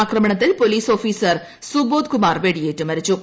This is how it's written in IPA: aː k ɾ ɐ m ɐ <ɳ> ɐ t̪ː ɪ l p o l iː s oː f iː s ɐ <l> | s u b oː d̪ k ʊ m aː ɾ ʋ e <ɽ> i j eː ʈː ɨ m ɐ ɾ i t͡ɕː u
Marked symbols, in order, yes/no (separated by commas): yes, no, yes